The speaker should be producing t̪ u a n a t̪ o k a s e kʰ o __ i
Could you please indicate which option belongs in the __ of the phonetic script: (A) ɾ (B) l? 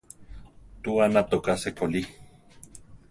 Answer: B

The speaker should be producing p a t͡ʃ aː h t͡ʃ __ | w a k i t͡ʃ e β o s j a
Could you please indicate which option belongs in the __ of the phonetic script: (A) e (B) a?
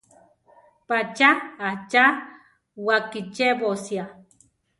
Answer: B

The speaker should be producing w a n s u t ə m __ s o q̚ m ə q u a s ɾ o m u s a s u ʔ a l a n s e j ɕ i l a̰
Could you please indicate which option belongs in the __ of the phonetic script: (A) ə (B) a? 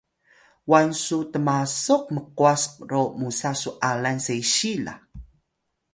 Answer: B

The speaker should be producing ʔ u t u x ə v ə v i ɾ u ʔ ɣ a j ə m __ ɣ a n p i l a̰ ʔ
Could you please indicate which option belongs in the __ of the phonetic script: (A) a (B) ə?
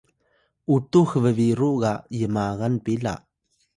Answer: A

